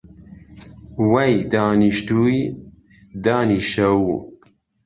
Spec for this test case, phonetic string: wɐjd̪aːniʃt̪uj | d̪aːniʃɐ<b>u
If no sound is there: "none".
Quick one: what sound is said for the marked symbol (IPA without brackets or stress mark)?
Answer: w